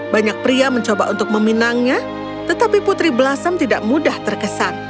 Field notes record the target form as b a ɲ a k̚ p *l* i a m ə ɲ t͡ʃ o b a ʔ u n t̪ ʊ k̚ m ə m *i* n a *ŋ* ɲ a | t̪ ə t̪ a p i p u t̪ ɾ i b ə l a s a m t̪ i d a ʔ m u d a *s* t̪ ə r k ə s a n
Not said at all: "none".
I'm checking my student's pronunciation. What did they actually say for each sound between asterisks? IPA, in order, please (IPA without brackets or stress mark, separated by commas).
ɾ, i, ŋ, h